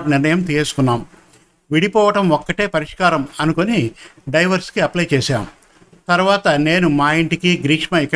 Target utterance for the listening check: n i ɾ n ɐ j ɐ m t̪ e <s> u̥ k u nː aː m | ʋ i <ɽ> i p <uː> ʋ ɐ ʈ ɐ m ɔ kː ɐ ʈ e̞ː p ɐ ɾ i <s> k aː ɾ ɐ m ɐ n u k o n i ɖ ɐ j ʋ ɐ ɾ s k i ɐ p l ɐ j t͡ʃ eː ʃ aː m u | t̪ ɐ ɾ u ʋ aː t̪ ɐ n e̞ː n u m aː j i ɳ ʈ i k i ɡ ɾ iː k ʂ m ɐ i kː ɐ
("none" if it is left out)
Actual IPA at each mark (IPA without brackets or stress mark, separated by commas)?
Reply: s, ɽ, ɔː, ʂ